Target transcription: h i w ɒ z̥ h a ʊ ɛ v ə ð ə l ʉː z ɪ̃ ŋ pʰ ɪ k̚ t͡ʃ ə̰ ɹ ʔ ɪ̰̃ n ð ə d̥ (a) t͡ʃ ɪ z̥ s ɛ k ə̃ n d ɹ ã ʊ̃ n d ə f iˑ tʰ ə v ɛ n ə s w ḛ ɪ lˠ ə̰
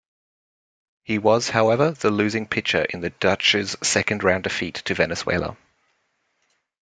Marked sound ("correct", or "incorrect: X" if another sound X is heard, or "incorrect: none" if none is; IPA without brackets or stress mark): incorrect: ʌ